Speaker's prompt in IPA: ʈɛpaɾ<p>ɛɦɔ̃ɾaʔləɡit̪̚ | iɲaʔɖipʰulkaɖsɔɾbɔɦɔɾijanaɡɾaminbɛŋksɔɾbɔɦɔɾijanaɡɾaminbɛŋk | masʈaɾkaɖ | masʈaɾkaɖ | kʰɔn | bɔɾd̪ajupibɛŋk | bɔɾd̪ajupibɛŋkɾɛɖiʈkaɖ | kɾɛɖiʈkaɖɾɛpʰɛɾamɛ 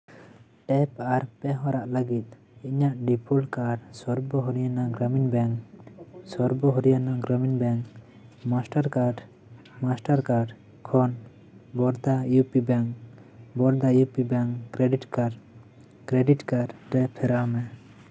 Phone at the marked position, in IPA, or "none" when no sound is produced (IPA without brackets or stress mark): p